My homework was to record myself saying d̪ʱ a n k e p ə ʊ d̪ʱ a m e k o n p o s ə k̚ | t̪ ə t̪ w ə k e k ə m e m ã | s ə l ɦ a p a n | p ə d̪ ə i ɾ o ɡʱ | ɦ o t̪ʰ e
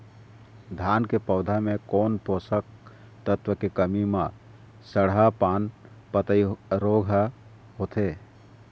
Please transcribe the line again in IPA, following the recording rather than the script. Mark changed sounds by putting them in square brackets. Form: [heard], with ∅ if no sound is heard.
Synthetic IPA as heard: d̪ʱ a n k e p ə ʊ d̪ʱ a m e k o n p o s ə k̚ | t̪ ə t̪ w ə k e k ə m [i] m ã | s ə [ɽ] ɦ a p a n | p ə [t̪] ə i ɾ o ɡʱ | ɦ o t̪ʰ e